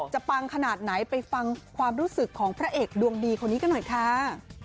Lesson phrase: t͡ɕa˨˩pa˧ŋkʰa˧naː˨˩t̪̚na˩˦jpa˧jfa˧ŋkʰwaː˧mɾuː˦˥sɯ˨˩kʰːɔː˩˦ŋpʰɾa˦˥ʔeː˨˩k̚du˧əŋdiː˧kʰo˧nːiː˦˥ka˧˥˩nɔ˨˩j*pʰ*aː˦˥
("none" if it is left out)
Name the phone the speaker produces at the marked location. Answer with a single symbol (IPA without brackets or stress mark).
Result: kʰ